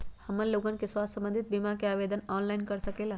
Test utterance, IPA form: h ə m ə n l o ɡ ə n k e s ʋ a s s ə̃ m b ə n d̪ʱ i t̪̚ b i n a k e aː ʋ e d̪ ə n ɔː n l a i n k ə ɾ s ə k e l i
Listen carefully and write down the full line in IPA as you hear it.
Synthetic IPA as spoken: h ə m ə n l o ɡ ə n k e s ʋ a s s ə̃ m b ə n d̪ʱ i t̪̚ b i m a k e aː ʋ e d̪ ə n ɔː n l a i n k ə ɾ s ə k e l a